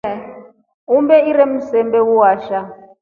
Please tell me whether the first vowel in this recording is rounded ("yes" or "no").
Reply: yes